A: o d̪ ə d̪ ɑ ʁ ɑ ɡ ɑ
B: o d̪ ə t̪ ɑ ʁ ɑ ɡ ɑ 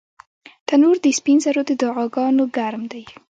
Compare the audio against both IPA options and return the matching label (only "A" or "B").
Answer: A